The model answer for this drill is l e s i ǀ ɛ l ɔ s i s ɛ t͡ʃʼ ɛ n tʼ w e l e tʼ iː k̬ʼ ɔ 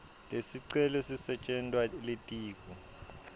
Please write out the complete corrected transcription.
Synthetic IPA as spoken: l e s i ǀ ɛ l ɔ s i s ɛ t͡ʃʼ ɛ n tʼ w a l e tʼ iː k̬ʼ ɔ